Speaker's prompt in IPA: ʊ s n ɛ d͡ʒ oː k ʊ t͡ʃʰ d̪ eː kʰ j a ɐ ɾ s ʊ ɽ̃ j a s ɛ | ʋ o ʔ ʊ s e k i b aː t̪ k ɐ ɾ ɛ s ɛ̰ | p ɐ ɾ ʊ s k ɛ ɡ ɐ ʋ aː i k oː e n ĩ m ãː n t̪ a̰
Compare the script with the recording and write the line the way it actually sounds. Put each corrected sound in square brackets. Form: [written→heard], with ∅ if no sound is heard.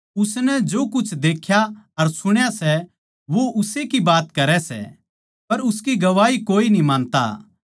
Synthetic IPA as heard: ʊ s n ɛ d͡ʒ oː k ʊ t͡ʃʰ d̪ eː kʰ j a ɐ ɾ s ʊ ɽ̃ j a s ɛ | ʋ o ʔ ʊ s e k i b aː t̪ k ɐ ɾ ɛ s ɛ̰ | p ɐ ɾ ʊ s k [ɛ→i] ɡ ɐ ʋ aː i k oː [e→i] n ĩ m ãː n t̪ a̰